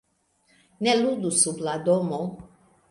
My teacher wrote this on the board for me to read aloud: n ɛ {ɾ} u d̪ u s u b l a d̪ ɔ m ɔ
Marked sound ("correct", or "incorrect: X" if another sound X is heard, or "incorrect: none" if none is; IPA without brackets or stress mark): incorrect: l